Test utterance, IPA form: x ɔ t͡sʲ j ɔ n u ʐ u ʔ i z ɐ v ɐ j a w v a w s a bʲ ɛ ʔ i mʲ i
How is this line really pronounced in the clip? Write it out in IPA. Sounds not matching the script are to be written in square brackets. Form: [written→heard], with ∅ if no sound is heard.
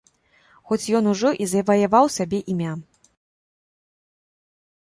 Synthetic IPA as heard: x ɔ t͡sʲ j ɔ n u ʐ [u→ɔ] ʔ i z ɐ v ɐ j a [w→∅] v a w s a bʲ ɛ ʔ i mʲ [i→a]